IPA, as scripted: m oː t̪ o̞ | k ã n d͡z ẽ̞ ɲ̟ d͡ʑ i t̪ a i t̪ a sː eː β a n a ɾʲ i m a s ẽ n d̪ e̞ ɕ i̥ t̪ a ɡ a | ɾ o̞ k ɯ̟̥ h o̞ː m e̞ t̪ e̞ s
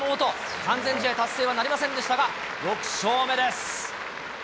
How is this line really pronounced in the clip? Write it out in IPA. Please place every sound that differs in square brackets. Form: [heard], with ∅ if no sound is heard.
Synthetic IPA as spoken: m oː t̪ o̞ | k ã n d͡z ẽ̞ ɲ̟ d͡ʑ i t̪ a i t̪ a sː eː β a n a ɾʲ i m a s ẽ n d̪ e̞ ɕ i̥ t̪ a ɡ a | ɾ o̞ k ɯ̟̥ [ɕ] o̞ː m e̞ [d̪] e̞ s